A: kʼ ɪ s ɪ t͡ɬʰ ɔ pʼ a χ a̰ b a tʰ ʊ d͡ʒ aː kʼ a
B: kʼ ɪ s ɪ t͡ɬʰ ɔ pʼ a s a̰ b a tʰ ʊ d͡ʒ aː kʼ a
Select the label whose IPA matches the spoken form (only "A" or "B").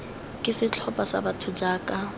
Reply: B